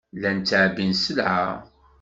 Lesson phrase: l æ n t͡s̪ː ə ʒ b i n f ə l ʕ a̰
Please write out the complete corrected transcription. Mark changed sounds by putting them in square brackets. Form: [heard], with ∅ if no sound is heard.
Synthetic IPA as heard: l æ n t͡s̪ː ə [ʕ] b i n [s] ə l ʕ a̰

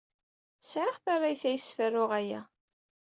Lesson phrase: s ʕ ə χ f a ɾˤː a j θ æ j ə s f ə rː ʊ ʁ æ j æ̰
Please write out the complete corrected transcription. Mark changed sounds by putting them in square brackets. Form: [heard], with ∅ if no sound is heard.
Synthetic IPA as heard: s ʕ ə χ [θ] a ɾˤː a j θ æ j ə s f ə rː ʊ ʁ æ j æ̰

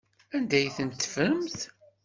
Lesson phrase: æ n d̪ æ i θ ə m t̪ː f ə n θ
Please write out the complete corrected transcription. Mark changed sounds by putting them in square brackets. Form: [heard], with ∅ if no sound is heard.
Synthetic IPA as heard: æ n d̪ æ [j] θ ə [n] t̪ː f ə [m] θ

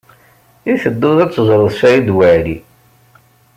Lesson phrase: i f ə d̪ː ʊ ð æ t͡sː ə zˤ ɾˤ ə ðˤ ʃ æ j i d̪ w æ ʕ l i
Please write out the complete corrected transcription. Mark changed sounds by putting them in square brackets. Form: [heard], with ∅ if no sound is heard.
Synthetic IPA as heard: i [θ] ə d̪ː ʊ ð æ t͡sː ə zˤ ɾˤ ə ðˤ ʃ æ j i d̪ w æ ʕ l i

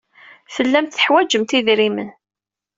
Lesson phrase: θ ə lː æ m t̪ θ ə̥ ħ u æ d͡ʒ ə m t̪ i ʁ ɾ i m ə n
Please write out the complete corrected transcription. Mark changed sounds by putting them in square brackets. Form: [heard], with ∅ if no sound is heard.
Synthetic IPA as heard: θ ə lː æ m t̪ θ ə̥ ħ [w] æ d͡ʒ ə m t̪ i [ð] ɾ i m ə n

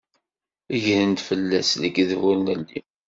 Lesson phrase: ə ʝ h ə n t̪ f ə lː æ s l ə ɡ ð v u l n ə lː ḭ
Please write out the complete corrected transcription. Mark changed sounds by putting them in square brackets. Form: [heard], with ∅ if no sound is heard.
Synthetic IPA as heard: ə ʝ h ə n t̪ f ə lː æ s l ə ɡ ð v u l n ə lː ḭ

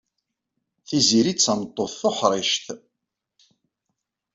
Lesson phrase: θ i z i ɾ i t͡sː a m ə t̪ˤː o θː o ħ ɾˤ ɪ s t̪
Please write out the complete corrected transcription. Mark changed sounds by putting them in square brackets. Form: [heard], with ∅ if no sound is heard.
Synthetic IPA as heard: θ i z i ɾ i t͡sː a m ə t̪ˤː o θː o ħ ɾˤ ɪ [ʃ] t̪

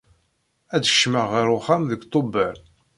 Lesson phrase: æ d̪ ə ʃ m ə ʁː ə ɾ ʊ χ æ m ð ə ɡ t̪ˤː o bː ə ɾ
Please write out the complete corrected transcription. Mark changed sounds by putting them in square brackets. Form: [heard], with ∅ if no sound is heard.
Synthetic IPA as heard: æ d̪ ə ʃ m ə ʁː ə ɾ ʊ χ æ m ð ə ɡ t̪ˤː o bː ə ɾ

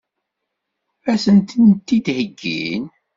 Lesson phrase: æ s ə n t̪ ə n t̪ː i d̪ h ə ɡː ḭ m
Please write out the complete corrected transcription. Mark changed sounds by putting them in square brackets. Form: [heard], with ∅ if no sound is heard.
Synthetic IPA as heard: æ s ə n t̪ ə n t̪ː i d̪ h ə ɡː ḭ [n]

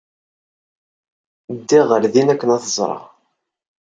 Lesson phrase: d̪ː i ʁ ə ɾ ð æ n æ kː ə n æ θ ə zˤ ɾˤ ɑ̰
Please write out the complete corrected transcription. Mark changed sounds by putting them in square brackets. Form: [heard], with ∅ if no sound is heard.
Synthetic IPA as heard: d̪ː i ʁ ə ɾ ð [i] n æ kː ə n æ θ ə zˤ ɾˤ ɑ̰

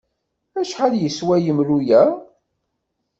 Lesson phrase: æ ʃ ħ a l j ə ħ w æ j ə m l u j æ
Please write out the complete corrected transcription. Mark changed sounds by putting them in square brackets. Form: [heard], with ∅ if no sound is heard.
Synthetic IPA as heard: æ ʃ ħ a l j ə [s] w æ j ə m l u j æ

